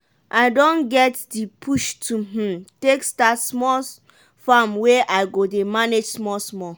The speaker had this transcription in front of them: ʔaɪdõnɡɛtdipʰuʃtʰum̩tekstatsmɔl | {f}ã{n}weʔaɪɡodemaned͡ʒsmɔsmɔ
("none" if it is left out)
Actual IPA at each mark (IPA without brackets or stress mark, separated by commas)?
f, m